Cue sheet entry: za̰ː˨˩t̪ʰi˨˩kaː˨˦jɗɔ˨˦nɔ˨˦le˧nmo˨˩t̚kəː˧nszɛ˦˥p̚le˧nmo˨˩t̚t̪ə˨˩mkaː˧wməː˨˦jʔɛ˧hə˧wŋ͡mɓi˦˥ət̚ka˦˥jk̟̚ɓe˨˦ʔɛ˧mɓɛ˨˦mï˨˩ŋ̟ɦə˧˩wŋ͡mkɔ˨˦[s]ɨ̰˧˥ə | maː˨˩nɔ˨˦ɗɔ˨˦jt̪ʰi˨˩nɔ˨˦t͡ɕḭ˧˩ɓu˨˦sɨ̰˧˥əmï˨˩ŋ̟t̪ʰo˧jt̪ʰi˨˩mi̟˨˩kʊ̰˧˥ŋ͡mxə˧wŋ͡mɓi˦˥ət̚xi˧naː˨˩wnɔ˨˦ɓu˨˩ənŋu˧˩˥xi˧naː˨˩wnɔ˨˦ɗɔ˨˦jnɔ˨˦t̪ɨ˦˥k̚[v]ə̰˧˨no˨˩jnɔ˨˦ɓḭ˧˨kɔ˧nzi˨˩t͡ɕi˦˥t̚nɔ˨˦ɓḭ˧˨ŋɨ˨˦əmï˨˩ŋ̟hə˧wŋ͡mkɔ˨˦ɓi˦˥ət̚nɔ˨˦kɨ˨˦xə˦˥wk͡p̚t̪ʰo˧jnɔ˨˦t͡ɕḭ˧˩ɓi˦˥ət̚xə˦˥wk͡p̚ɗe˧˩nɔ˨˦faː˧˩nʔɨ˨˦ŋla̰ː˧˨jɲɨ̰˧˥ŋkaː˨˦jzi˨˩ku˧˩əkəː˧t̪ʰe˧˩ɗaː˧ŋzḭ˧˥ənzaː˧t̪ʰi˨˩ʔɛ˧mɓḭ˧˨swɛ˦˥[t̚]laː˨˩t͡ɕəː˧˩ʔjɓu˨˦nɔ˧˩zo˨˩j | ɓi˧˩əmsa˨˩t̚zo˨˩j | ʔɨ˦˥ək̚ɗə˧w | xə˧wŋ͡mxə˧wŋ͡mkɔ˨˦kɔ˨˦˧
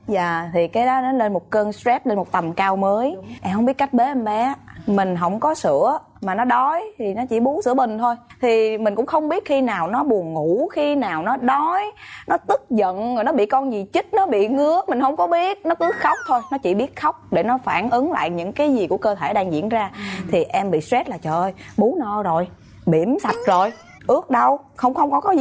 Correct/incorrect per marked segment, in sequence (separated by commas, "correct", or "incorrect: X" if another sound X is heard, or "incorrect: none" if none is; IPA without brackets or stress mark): correct, incorrect: z, correct